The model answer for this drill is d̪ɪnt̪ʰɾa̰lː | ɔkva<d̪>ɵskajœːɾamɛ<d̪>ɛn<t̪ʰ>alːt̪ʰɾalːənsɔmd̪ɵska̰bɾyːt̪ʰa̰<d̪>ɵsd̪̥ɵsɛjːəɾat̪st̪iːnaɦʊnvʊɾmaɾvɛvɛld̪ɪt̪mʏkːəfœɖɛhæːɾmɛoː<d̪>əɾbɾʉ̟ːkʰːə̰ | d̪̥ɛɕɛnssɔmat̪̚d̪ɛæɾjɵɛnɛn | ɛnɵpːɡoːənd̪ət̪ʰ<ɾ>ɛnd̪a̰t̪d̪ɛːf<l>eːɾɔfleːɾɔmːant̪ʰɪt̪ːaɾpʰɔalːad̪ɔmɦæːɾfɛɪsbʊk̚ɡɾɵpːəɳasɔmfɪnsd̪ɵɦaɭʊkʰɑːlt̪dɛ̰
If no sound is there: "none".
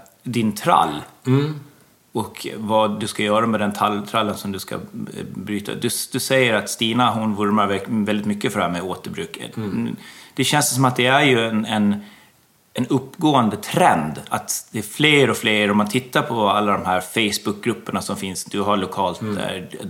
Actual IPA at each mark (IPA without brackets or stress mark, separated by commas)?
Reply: d̪, d̪, t̪ʰ, d̪, t̪, ɾ, l